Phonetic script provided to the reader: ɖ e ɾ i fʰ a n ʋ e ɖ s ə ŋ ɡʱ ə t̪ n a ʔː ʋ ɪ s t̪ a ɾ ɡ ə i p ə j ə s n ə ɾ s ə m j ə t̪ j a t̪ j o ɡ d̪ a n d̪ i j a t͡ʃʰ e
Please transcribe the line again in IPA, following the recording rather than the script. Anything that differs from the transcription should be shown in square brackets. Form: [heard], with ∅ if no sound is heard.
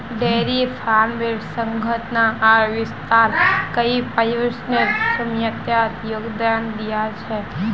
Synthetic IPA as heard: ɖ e ɾ i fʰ a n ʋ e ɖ s ə ŋ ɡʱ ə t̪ n a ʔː ʋ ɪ s t̪ a ɾ [k] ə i p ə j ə s n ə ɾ s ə m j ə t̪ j a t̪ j o ɡ d̪ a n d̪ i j a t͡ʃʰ e

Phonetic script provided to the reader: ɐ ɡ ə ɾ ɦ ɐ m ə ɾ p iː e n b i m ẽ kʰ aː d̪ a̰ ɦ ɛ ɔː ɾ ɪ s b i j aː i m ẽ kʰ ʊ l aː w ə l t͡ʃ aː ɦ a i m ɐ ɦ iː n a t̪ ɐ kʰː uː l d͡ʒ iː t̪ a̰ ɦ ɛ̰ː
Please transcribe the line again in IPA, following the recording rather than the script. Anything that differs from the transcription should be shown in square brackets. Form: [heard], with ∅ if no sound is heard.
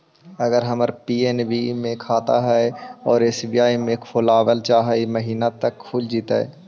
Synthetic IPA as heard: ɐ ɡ ə ɾ ɦ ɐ m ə ɾ p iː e n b i m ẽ kʰ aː [t̪] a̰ ɦ ɛ ɔː ɾ ɪ s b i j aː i m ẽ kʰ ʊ l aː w ə l t͡ʃ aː ɦ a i m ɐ ɦ iː n a t̪ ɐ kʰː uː l d͡ʒ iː t̪ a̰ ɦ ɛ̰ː

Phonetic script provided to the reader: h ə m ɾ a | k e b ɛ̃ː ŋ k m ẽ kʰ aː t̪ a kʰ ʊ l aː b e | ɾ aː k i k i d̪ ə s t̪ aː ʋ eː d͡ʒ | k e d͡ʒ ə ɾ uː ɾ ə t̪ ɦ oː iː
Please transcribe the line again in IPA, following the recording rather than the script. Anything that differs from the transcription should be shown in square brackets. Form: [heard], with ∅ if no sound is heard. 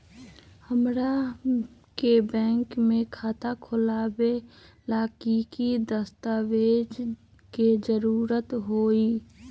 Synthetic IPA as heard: h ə m ɾ a | k e b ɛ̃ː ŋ k m ẽ kʰ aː t̪ a kʰ ʊ l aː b e | [l] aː k i k i d̪ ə s t̪ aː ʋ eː d͡ʒ | k e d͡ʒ ə ɾ uː ɾ ə t̪ ɦ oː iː

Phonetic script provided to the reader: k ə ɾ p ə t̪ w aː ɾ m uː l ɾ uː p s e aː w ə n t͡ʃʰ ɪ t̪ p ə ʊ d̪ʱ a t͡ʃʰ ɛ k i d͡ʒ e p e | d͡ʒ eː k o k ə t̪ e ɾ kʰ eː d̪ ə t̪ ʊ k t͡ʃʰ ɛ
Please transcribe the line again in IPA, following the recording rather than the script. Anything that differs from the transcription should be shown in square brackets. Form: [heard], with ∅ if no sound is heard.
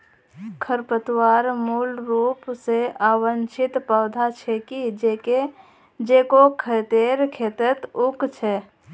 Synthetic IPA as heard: [kʰ] ə ɾ p ə t̪ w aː ɾ m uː l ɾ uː p s e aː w ə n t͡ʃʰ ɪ t̪ p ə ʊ d̪ʱ a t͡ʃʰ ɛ k i d͡ʒ e [k] e | d͡ʒ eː k o [kʰ] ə t̪ e ɾ kʰ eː [t̪] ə t̪ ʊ k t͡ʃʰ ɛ

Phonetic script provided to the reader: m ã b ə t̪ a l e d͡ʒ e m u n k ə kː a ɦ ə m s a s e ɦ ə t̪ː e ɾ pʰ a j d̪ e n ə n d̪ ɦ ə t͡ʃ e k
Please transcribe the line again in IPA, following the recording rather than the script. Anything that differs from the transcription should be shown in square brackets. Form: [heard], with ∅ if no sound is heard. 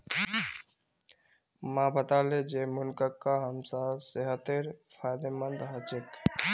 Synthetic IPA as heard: m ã b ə t̪ a l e d͡ʒ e m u n k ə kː a ɦ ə m s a s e ɦ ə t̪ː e ɾ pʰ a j d̪ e [m] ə n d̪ ɦ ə t͡ʃ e k

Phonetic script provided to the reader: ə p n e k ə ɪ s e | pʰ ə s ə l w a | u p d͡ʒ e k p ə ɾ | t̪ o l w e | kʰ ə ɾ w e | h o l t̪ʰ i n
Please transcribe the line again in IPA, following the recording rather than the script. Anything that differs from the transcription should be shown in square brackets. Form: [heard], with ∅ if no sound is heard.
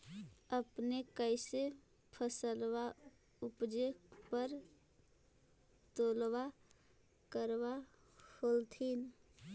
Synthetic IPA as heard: ə p n e k ə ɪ s e | pʰ ə s ə l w a | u p d͡ʒ e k p ə ɾ | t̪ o l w [a] | [k] ə ɾ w [a] | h o l t̪ʰ i n

